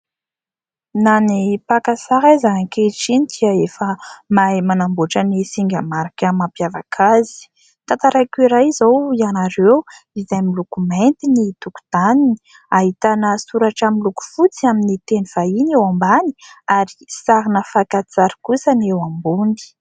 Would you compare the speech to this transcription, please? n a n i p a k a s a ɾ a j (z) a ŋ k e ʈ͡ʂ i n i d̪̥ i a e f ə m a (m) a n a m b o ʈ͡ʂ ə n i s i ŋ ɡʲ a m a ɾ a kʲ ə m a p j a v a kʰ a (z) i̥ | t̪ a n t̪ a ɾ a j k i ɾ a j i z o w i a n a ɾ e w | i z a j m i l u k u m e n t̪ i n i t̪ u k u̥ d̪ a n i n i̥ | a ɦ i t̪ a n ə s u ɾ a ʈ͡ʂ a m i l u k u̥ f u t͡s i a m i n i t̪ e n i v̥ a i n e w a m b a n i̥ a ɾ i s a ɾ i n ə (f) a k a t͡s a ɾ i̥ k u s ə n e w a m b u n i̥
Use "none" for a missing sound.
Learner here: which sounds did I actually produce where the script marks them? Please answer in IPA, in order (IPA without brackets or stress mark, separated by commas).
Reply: z, m, z, f